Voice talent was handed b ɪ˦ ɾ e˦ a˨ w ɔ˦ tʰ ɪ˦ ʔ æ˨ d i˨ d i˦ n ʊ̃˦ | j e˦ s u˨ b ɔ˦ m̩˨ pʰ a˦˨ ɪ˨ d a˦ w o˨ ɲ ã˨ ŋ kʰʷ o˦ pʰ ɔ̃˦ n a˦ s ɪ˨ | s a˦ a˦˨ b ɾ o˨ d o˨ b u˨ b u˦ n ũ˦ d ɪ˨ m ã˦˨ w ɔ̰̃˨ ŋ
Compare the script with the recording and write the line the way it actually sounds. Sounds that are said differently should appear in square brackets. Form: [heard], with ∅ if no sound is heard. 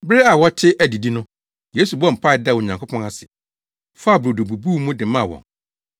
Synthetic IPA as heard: b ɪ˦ ɾ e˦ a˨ w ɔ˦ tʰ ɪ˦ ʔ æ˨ d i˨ d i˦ n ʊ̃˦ | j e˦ s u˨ b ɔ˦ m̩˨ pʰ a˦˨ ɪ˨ d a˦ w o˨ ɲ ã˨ ŋ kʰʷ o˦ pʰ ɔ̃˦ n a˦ s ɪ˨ | [f] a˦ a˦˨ b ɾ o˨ d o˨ b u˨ b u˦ [m] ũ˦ d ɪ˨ m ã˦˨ w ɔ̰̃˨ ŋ